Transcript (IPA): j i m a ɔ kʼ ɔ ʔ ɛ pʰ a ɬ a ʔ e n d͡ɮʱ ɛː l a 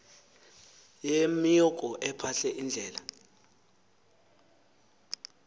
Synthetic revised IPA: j e m i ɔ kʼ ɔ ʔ ɛ pʰ a ɬ ɛ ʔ i n d͡ɮʱ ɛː l a